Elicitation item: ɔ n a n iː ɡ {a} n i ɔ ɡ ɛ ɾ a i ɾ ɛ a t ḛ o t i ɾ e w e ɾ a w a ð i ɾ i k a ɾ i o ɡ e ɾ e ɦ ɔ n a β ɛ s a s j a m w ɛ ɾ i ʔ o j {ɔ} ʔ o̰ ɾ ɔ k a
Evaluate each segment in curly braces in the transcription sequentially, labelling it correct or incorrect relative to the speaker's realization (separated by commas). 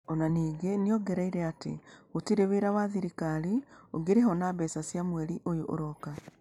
incorrect, incorrect